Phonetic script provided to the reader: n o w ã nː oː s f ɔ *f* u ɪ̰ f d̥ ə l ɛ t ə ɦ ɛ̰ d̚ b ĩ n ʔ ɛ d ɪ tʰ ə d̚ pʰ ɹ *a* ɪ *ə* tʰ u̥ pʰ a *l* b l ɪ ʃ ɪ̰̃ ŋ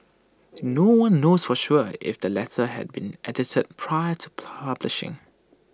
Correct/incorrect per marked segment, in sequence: incorrect: ʃ, correct, correct, incorrect: none

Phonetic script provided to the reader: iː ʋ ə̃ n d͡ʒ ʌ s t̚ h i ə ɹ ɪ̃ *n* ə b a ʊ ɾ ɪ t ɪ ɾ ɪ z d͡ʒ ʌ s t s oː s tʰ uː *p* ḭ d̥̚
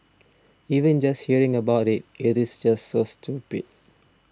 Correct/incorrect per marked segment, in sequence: incorrect: ŋ, correct

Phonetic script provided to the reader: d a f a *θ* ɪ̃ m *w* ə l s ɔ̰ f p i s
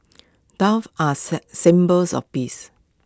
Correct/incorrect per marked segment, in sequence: incorrect: s, incorrect: b

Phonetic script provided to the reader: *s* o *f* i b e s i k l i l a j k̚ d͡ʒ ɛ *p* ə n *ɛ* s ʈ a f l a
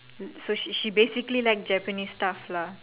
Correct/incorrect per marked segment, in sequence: correct, incorrect: ʃ, correct, incorrect: i

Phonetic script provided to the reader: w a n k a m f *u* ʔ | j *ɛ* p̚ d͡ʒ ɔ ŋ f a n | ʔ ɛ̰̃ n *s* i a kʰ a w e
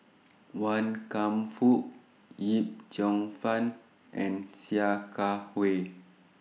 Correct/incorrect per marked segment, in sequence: correct, incorrect: i, correct

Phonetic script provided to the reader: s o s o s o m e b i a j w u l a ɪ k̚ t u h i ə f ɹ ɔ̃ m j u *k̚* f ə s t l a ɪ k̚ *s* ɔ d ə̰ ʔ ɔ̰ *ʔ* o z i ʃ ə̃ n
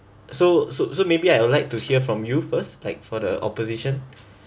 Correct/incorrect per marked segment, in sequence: incorrect: none, incorrect: f, incorrect: p

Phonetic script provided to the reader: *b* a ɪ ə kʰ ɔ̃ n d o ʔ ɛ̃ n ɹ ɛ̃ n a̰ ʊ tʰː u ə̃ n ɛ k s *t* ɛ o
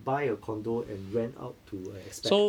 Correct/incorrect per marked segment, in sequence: correct, incorrect: p

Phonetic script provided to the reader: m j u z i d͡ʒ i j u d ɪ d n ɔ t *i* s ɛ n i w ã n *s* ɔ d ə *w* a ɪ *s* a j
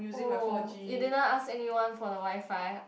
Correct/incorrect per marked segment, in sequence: incorrect: a, incorrect: f, correct, incorrect: f

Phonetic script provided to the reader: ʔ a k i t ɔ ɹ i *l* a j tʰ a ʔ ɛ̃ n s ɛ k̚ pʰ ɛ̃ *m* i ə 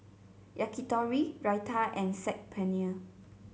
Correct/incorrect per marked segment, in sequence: incorrect: ɹ, incorrect: n

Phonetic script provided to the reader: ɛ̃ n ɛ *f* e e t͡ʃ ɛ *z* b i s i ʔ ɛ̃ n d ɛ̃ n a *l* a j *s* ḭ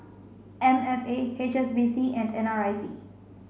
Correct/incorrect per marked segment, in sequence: correct, incorrect: s, incorrect: ɹ, correct

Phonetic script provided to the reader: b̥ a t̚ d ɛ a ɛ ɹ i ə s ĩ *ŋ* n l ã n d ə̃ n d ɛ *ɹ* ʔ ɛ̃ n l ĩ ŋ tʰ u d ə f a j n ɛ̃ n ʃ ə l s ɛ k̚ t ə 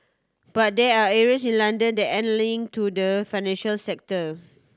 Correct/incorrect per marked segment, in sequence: incorrect: none, incorrect: none

